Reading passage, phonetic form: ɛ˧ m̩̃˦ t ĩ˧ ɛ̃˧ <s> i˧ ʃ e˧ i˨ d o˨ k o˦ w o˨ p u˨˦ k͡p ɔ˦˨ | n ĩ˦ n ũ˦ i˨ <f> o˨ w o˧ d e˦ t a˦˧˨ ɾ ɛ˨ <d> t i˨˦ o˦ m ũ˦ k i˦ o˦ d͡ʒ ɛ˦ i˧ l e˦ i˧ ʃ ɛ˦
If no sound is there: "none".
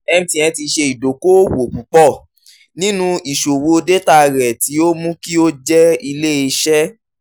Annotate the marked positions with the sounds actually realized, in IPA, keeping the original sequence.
t, ʃ, none

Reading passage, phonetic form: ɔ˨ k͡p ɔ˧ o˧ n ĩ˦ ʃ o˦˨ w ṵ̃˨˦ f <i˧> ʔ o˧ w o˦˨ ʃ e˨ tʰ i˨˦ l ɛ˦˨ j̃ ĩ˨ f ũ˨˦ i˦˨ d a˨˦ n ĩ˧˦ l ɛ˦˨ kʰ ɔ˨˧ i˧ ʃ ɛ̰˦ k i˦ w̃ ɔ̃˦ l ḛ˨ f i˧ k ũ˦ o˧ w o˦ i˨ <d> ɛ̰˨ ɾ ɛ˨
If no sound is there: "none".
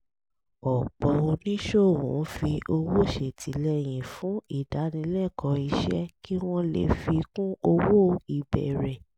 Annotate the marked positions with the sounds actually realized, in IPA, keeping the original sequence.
i˧, b

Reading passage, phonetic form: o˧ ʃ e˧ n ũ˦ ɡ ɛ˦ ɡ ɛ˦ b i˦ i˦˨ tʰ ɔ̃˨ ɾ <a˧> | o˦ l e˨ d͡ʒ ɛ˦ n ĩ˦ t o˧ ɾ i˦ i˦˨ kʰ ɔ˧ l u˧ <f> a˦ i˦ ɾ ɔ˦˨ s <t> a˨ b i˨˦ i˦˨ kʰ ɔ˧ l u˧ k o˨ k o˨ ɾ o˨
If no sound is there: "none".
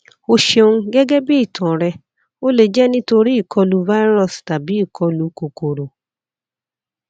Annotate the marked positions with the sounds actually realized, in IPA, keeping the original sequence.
ɛ˧, v, t

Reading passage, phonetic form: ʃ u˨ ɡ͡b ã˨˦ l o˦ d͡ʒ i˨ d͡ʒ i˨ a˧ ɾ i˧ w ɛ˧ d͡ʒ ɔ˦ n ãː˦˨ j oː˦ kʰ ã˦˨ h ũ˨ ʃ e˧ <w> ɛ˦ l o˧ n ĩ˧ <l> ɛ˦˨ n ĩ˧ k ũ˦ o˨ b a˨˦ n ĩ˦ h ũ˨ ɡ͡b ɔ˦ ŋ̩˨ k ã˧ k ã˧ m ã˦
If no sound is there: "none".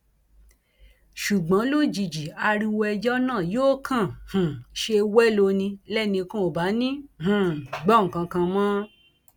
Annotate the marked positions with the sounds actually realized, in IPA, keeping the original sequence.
w, l

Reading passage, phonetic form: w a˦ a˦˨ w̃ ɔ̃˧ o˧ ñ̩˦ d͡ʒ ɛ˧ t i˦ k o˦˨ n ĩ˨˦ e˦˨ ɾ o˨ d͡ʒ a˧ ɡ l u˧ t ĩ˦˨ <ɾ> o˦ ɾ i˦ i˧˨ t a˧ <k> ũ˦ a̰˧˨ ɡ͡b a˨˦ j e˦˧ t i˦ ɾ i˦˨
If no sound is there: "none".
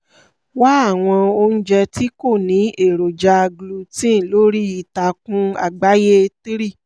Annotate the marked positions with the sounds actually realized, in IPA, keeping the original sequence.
l, k

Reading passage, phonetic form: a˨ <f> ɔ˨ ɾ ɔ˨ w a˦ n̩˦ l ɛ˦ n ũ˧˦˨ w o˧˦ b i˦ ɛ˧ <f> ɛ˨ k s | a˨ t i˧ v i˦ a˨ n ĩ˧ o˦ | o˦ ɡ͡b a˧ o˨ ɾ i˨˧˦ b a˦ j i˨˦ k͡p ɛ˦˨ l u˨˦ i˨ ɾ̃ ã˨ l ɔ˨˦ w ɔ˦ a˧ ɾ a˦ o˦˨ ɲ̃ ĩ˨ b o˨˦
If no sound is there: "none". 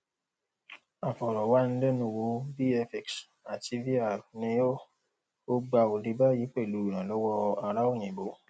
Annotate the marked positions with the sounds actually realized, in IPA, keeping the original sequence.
f, f

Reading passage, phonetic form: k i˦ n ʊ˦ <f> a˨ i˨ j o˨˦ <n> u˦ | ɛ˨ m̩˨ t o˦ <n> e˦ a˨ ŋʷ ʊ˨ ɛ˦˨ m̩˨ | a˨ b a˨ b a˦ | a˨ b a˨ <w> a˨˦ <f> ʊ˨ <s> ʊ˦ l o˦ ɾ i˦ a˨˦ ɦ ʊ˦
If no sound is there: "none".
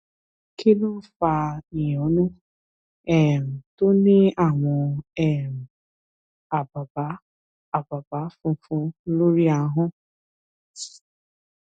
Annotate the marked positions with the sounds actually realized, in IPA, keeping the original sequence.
f, n, n, b, f, f

